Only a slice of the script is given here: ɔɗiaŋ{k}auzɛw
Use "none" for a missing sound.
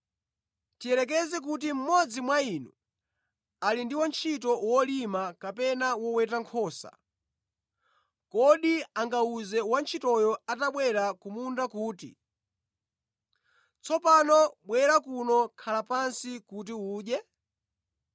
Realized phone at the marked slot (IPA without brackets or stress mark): ɡ